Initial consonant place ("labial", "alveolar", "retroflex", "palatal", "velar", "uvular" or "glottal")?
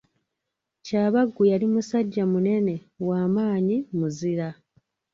palatal